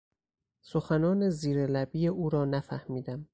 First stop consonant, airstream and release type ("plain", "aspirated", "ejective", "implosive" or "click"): plain